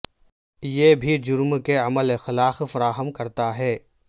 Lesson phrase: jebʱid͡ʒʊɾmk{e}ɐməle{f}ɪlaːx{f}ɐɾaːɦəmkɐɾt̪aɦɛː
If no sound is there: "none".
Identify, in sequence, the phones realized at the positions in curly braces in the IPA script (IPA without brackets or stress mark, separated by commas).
e, x, f